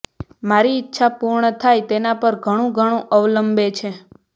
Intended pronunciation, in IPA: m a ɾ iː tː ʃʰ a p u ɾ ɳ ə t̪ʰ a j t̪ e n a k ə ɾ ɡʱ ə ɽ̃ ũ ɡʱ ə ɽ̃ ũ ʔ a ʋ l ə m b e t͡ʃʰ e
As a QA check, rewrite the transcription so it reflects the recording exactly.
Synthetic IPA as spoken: m a ɾ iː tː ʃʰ a p u ɾ ɳ ə t̪ʰ a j t̪ e n a p ə ɾ ɡʱ ə ɽ̃ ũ ɡʱ ə ɽ̃ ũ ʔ ə ʋ l ə m b e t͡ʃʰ e

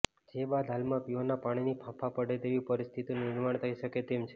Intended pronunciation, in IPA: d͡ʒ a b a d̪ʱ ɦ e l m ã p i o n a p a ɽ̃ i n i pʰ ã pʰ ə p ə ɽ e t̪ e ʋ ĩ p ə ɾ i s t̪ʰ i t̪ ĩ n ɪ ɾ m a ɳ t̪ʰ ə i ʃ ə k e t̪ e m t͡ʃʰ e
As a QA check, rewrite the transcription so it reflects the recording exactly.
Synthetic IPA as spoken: d͡ʒ e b a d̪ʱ ɦ a l m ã p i o n a p a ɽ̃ i n i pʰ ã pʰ a p ə ɽ e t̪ e ʋ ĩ p ə ɾ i s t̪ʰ i t̪ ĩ n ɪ ɾ m a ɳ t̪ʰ ə i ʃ ə k e t̪ e m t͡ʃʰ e

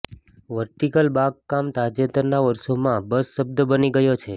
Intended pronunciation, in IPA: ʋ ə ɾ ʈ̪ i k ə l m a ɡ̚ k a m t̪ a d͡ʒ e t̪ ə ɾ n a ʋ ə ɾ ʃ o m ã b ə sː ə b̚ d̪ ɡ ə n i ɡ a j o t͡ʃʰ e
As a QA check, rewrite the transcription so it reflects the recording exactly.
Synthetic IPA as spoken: ʋ ə ɾ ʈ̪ i k ə l b a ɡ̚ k a m t̪ a d͡ʒ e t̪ ə ɾ n a ʋ ə ɾ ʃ o m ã b ə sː ə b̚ d̪ b ə n i ɡ ə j o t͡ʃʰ e

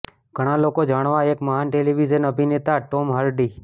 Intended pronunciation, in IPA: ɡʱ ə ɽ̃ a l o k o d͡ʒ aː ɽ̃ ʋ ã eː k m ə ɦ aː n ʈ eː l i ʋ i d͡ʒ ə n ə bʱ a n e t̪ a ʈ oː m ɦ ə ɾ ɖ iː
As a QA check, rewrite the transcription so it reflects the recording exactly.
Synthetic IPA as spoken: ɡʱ ə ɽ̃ a l o k o d͡ʒ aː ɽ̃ ʋ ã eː k m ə ɦ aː n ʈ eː l i ʋ i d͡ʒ ə n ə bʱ i n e t̪ a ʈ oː m ɦ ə ɾ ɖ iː

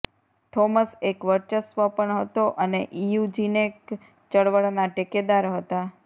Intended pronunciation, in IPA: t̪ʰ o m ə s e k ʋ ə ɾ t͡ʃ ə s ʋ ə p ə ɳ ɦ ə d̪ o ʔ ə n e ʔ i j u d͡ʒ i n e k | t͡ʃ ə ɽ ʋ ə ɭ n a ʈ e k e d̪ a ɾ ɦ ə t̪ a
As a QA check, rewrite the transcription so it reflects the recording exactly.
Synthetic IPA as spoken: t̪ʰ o m ə s e k ʋ ə ɾ t͡ʃ ə s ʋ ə p ə ɳ ɦ ə t̪ o ʔ ə n e ʔ i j u d͡ʒ i n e k | t͡ʃ ə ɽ ʋ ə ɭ n a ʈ e k e d̪ a ɾ ɦ ə t̪ a

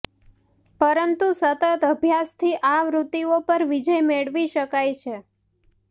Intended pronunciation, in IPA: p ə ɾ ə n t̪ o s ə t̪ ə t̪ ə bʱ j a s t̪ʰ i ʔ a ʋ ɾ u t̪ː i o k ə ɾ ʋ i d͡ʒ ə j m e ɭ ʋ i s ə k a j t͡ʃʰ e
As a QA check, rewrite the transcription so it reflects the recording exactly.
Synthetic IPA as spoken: p ə ɾ ə n t̪ u s ə t̪ ə t̪ ə bʱ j a s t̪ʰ i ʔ a ʋ ɾ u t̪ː i o p ə ɾ ʋ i d͡ʒ ə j m e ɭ ʋ i ʃ ə k a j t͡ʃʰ e

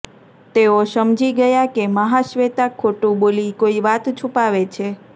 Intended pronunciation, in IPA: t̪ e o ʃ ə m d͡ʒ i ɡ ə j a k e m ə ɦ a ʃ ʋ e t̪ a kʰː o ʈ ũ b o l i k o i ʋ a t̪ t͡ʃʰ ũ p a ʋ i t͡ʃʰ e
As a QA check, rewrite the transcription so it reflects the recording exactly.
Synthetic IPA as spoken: t̪ e o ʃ ə m d͡ʒ i ɡ ə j a k e m ə ɦ a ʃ ʋ e t̪ a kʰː o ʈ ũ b o l i k o i ʋ a t̪ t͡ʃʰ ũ p a ʋ e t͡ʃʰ e

